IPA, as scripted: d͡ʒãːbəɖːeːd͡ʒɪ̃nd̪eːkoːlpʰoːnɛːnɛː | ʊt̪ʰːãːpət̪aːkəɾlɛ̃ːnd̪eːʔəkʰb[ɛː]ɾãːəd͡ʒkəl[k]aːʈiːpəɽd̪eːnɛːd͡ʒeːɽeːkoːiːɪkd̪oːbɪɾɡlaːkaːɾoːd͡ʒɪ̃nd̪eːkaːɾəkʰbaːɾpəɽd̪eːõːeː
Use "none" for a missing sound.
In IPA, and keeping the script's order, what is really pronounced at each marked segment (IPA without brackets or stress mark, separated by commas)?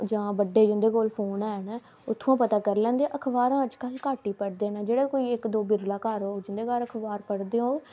aː, k